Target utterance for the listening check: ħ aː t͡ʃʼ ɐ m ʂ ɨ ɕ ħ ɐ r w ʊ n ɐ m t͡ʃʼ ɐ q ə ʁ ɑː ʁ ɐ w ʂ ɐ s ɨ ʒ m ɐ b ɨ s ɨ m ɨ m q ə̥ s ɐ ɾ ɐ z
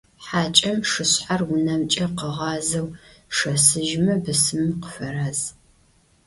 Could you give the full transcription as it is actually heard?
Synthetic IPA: ħ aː t͡ʃʼ ɐ m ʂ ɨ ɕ ħ a r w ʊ n ɐ m t͡ʃʼ ɐ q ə ʁ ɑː z ɐ w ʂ ɐ s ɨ ʒ m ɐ b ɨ s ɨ m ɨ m q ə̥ f ɐ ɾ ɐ z